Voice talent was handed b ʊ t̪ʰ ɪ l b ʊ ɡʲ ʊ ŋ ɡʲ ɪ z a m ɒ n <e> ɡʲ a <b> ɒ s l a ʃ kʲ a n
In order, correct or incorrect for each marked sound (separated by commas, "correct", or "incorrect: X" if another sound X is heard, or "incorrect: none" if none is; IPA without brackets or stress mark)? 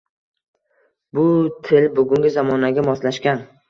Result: incorrect: a, incorrect: m